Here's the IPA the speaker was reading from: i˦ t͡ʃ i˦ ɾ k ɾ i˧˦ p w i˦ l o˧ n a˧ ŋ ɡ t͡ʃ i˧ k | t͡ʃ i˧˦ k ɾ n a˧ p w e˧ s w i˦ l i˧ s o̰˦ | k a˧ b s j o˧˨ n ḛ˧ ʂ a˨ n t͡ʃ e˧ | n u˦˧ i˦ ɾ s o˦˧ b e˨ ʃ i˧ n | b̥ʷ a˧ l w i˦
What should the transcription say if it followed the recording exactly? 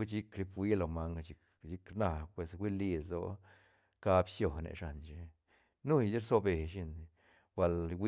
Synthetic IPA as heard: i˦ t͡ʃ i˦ k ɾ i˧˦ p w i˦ l o˧ m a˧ ŋ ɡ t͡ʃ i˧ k | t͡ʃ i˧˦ k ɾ n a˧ p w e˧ s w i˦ l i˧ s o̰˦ | k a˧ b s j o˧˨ n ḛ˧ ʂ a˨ n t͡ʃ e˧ | n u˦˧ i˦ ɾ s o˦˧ b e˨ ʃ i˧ n | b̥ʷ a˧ l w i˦